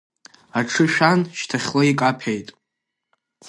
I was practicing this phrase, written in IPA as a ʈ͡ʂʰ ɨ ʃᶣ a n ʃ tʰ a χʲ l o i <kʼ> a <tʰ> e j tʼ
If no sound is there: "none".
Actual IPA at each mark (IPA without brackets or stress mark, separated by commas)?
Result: kʼ, pʰ